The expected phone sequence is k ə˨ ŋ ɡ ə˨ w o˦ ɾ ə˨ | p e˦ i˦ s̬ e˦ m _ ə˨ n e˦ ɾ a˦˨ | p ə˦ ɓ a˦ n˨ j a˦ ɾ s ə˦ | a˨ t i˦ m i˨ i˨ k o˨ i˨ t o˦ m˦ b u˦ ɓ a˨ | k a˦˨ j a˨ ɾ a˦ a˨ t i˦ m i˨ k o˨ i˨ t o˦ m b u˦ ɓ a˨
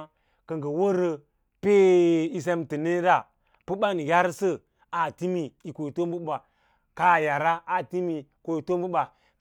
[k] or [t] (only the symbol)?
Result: t